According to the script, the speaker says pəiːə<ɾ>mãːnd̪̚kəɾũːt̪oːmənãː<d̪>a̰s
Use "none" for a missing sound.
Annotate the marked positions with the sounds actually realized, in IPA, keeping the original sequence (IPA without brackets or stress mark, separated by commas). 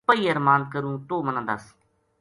ɾ, d̪